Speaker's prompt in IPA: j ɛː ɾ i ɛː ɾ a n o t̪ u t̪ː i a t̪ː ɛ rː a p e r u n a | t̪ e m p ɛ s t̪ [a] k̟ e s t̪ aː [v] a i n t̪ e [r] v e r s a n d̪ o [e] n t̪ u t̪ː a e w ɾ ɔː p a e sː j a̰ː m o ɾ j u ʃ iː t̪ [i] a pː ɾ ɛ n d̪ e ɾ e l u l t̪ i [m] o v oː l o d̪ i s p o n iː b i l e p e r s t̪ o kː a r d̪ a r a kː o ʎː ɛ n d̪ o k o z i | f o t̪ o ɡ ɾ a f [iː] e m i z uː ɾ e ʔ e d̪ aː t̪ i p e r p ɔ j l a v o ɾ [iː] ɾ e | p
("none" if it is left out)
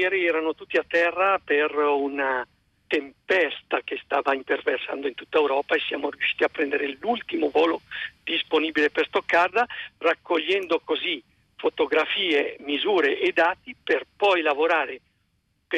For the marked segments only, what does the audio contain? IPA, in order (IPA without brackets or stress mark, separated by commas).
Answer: a, v, r, i, i, m, iː, aː